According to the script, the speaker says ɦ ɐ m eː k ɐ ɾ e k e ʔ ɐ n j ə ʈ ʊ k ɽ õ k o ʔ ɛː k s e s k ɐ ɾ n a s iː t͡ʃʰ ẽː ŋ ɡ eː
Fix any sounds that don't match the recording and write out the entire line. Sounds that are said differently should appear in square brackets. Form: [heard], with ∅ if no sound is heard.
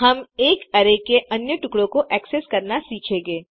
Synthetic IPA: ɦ ɐ m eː k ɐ ɾ e k e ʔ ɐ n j ə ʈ ʊ k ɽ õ k o ʔ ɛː k s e s k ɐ ɾ n a s iː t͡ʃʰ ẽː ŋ ɡ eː